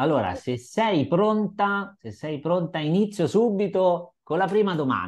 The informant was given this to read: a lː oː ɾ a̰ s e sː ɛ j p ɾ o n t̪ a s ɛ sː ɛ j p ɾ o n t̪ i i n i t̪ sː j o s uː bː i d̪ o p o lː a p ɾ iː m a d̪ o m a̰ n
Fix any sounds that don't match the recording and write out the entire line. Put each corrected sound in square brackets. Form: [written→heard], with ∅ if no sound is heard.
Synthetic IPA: a lː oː ɾ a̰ s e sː ɛ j p ɾ o n t̪ a s [ɛ→e] sː ɛ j p ɾ o n t̪ [i→a] i n i t̪ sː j o s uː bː i [d̪→t̪] o [p→k] o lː a p ɾ iː m a d̪ o m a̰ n